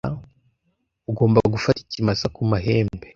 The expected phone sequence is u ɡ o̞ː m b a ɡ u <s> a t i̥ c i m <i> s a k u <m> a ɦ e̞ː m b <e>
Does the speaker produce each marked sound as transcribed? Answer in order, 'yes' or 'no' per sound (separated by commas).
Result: no, no, yes, yes